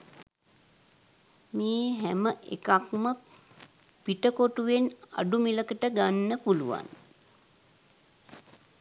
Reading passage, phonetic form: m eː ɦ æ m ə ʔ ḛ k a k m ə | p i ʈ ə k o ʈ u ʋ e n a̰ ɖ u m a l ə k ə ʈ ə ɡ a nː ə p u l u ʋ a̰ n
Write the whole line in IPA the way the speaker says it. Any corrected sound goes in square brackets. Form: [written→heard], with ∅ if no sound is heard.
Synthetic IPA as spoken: m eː ɦ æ m ə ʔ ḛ k a k m ə | p i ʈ ə k o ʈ u ʋ e n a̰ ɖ u m [a→i] l ə k ə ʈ ə ɡ a nː ə p u l u ʋ a̰ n